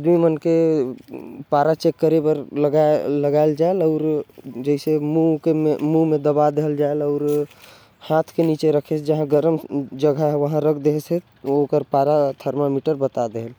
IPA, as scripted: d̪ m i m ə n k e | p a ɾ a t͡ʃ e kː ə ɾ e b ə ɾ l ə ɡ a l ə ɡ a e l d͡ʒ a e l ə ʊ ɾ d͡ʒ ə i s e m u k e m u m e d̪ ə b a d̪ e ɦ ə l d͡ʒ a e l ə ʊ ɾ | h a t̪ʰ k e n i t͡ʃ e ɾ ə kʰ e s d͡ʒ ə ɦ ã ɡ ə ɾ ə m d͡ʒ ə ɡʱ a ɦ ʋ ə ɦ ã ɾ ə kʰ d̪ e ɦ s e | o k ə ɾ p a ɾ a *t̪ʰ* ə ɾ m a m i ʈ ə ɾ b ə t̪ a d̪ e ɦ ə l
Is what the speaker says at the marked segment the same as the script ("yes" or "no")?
yes